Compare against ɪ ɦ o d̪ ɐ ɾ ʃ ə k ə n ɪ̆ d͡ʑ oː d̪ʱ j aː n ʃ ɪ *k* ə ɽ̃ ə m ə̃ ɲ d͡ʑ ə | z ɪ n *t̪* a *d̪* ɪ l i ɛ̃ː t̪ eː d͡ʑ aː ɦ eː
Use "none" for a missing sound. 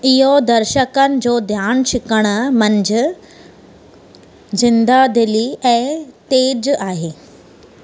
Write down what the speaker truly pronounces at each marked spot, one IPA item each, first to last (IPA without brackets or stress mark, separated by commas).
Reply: k, d̪, d̪